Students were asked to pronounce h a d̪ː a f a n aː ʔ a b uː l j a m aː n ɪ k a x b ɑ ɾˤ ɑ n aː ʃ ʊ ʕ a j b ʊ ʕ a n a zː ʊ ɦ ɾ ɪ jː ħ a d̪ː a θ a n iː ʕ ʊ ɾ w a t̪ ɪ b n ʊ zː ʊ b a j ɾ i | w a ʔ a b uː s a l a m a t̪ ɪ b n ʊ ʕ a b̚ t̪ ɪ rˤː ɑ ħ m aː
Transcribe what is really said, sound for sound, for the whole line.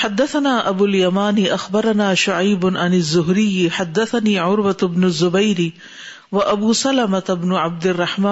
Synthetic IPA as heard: ħ a d̪ː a θ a n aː ʔ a b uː l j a m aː n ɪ ʔ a x b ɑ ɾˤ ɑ n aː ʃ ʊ ʕ a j b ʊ ʕ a n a zː ʊ ɦ ɾ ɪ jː ħ a d̪ː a θ a n iː ʕ ʊ ɾ w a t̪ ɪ b n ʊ zː ʊ b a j ɾ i | w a ʔ a b uː s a l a m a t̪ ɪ b n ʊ ʕ a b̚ d̪ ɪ rˤː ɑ ħ m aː